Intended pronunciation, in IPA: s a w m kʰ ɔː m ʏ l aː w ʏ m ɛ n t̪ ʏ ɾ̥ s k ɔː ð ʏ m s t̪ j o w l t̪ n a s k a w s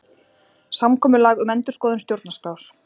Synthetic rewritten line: s a m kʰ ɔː m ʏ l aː ɣ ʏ m ɛ n t̪ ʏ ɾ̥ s k ɔː ð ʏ n s t̪ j o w ɾ t̪ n a s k a w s